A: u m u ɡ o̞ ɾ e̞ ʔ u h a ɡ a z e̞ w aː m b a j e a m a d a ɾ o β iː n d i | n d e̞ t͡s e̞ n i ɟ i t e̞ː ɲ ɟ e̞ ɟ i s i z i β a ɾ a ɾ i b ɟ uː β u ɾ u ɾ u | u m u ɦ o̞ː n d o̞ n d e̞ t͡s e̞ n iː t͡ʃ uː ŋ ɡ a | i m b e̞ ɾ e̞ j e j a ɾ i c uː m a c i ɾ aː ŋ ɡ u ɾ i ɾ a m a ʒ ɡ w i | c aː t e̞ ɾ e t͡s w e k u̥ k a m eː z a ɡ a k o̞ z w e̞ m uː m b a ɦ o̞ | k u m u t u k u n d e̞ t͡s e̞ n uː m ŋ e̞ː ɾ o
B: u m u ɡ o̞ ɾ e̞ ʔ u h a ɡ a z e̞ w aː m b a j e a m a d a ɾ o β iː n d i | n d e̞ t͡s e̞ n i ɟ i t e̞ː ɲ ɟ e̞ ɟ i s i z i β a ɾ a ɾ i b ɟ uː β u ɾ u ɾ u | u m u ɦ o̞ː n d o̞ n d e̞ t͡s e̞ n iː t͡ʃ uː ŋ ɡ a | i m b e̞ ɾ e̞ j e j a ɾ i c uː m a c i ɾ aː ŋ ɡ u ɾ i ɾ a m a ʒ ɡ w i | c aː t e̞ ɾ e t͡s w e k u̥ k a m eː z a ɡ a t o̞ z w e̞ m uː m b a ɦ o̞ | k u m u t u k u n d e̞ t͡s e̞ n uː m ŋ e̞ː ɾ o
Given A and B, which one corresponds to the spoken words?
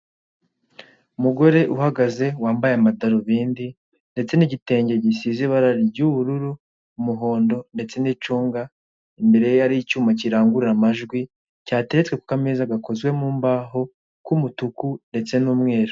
A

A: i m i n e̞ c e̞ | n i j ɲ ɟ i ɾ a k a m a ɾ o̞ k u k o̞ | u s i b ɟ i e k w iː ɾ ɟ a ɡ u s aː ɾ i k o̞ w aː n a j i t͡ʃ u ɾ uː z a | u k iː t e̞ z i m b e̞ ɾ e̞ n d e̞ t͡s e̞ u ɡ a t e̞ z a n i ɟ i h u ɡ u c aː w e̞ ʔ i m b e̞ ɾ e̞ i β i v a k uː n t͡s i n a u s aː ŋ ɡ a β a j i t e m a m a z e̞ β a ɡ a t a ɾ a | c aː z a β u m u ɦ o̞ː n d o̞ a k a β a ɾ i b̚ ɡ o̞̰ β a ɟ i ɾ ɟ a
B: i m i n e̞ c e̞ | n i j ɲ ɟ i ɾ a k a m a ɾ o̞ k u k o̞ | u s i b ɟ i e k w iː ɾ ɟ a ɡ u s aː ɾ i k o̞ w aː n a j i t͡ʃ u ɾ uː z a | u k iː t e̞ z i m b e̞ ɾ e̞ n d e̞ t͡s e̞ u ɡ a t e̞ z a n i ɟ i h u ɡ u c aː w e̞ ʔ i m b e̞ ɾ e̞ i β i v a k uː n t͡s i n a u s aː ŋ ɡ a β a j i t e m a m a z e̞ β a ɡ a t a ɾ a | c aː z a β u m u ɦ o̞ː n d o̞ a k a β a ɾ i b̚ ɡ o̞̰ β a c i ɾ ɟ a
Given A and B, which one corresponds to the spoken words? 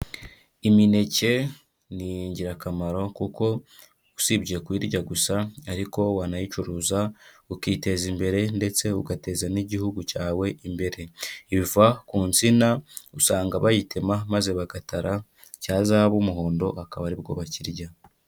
B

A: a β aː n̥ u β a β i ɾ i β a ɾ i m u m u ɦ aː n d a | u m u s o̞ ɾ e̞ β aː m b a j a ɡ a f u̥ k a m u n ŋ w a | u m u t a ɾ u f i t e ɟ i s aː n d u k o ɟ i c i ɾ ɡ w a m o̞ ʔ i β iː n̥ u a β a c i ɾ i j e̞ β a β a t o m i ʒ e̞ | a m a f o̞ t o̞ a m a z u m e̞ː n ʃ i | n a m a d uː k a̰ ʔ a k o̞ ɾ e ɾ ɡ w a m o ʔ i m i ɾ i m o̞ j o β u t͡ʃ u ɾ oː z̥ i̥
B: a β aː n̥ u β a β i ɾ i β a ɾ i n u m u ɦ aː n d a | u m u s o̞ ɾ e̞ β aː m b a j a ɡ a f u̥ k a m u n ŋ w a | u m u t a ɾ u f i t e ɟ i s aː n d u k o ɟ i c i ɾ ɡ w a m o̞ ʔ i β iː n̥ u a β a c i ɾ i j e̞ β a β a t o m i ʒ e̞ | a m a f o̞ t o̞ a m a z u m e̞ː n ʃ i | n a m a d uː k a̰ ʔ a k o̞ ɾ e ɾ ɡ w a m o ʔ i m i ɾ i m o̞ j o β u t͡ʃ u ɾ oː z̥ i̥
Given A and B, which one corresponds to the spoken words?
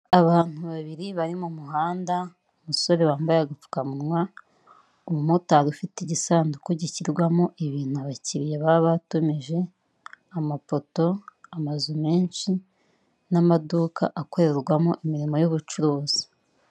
A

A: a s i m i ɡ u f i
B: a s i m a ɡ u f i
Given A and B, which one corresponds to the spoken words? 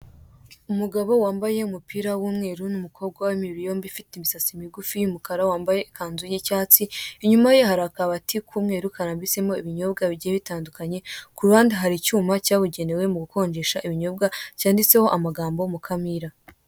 A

